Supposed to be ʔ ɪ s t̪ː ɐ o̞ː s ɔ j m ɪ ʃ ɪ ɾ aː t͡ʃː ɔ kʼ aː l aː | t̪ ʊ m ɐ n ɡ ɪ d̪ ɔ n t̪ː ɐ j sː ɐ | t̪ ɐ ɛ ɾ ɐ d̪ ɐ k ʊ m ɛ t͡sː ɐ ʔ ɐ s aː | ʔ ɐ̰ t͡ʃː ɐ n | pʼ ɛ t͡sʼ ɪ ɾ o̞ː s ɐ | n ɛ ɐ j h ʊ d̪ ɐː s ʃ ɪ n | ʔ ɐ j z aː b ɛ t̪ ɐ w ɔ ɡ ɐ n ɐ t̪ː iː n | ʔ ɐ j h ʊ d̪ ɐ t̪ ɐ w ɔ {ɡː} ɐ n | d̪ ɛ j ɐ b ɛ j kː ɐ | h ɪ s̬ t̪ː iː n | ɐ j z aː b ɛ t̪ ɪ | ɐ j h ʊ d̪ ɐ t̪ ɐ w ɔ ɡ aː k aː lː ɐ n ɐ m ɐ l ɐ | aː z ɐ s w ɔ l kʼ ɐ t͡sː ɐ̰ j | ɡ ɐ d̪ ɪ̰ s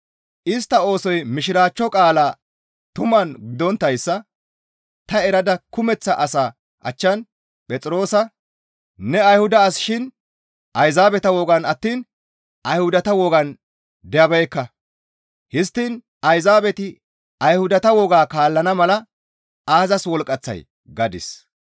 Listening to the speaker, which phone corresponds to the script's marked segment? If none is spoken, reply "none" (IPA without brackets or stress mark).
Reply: ɡ